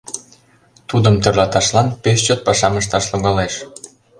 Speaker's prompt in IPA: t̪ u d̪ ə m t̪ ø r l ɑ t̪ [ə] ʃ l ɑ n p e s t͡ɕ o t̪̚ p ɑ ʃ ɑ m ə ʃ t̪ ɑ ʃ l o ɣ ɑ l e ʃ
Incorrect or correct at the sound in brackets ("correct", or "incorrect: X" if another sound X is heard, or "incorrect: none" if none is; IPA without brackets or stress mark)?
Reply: incorrect: ɑ